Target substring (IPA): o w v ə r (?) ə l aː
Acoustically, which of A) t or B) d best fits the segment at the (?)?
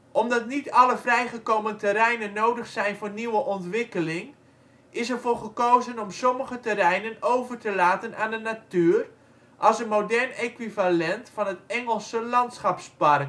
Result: A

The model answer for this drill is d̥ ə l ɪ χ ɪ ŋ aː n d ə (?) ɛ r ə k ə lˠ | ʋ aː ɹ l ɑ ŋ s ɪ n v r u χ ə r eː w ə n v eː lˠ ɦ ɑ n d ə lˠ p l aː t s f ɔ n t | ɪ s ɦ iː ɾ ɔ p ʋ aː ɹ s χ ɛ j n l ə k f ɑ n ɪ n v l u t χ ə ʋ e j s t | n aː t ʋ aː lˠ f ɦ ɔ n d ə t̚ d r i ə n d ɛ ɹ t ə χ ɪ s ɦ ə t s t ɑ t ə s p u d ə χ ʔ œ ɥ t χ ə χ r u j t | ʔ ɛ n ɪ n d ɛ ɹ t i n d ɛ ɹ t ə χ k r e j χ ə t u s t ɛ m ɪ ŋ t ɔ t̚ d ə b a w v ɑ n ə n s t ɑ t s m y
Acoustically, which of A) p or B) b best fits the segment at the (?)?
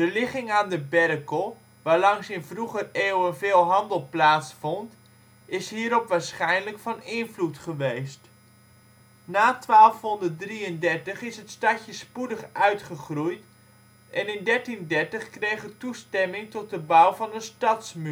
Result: B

